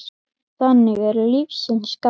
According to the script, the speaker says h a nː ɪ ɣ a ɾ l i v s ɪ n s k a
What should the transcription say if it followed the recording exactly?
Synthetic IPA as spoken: θ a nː ɪ ɣ ɛ ɾ l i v s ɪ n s k a